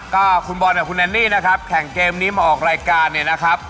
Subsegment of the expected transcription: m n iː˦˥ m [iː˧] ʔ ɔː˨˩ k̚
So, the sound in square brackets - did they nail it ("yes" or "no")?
no